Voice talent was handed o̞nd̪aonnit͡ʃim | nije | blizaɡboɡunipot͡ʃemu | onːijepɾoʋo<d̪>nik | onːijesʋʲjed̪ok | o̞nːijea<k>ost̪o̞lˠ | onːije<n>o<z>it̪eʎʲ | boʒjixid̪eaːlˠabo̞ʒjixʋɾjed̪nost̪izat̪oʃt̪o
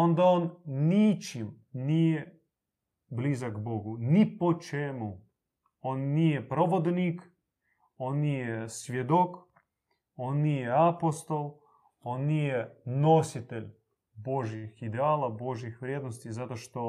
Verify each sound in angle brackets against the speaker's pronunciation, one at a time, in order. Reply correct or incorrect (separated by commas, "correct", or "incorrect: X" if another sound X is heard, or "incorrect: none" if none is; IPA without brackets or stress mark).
correct, incorrect: p, correct, incorrect: s